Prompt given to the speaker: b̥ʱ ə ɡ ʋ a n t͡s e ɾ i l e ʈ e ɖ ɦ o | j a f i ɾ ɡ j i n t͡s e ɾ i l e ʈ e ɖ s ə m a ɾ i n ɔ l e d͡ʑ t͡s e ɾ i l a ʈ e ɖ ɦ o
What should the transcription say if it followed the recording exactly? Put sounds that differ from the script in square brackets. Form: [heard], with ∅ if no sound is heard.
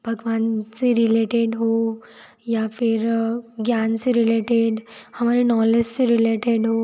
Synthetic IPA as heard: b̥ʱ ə ɡ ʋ a n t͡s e ɾ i l e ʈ e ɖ ɦ o | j a f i ɾ ɡ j [a] n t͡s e ɾ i l e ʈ e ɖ [h] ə m a ɾ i n ɔ l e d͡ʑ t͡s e ɾ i l [e] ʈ e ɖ ɦ o